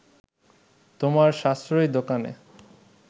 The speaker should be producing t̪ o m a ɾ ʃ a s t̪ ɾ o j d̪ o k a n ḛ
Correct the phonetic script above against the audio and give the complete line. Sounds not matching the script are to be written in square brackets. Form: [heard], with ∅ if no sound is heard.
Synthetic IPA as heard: t̪ o m a ɾ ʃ a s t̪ ɾ o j d̪ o k a n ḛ